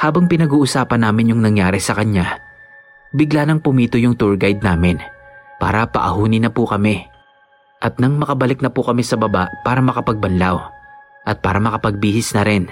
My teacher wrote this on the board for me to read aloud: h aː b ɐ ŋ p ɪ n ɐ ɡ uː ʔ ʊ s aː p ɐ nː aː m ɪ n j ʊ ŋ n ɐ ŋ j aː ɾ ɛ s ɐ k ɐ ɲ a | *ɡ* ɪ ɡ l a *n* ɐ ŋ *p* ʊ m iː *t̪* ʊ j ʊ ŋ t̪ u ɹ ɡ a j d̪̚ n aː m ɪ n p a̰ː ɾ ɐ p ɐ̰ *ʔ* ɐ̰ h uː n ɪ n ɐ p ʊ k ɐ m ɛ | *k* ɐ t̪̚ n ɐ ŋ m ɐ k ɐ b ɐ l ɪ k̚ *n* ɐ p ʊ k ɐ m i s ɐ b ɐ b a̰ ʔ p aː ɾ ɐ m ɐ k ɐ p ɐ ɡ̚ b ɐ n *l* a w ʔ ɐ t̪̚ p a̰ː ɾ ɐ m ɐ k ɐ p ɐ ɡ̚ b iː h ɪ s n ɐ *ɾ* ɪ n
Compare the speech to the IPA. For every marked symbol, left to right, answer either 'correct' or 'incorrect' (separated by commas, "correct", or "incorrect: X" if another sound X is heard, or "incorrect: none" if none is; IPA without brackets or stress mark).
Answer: incorrect: b, correct, correct, correct, correct, incorrect: ʔ, correct, correct, correct